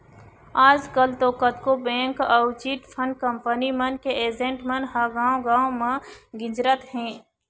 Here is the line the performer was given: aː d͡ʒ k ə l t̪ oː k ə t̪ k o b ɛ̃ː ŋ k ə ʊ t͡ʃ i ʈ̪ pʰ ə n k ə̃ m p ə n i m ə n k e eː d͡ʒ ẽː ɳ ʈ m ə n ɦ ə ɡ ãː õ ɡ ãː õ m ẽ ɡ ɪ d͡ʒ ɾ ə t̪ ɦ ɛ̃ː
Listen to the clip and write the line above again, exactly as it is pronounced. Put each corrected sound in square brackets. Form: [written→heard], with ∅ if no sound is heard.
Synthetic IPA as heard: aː d͡ʒ k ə l t̪ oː k ə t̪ k o b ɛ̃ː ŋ k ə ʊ t͡ʃ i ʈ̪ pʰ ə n k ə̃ m p ə n i m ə n k e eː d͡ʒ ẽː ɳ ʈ m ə n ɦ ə ɡ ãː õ ɡ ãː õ m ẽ ɡ ɪ d͡ʒ ɾ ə t̪ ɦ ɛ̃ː